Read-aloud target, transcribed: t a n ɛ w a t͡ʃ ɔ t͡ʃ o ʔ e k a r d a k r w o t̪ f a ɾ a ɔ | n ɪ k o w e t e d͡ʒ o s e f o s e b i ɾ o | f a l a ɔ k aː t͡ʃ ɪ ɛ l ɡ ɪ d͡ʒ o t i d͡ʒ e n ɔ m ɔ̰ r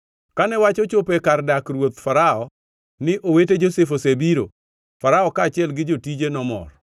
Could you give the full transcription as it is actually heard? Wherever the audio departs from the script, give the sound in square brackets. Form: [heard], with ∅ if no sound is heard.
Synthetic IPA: [k] a n ɛ w a t͡ʃ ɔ t͡ʃ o [p] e k a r d a k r w o t̪ f a ɾ a ɔ | n ɪ [ʔ] o w e t e d͡ʒ o s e f o s e b i ɾ o | f a [ɾ] a ɔ k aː t͡ʃ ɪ ɛ l ɡ ɪ d͡ʒ o t i d͡ʒ e n ɔ m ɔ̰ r